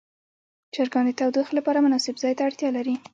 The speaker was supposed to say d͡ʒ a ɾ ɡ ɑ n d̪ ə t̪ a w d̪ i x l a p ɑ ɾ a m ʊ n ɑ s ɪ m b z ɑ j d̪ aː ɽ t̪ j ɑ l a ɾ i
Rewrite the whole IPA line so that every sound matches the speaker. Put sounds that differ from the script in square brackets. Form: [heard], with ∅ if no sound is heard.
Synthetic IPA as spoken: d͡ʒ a ɾ ɡ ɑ n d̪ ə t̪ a w d̪ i x l a p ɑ ɾ a m ʊ n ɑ s ɪ [∅] b z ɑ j [t̪] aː ɽ t̪ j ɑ l a ɾ i